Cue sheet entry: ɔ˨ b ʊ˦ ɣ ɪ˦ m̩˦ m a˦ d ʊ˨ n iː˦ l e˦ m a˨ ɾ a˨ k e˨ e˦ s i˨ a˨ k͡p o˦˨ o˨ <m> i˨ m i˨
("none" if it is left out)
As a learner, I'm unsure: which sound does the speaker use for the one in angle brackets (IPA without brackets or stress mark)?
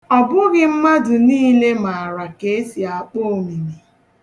m